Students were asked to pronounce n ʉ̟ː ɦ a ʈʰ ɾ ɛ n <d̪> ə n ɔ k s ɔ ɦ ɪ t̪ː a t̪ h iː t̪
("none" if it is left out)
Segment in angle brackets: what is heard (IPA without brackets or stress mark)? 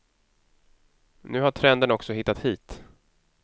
d̪